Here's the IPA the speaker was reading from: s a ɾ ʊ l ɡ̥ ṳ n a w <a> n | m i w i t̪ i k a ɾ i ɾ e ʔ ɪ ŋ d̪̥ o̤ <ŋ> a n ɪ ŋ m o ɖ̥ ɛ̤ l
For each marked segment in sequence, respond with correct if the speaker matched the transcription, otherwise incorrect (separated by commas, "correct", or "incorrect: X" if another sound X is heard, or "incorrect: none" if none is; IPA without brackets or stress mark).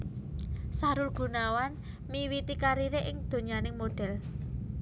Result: correct, incorrect: ɲ